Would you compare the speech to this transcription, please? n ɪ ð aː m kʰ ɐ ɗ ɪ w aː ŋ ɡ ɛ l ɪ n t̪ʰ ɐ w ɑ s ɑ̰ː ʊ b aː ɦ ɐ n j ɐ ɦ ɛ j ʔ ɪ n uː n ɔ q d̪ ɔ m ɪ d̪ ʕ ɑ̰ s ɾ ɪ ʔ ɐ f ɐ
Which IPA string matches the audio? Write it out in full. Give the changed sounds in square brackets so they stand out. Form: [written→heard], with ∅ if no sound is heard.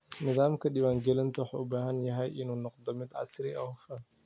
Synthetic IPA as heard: n ɪ ð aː m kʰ ɐ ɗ ɪ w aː ŋ ɡ ɛ l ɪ n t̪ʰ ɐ w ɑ [s→ħ] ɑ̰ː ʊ b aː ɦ ɐ n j ɐ ɦ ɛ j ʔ ɪ n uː n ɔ q d̪ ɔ m ɪ d̪ ʕ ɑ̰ s ɾ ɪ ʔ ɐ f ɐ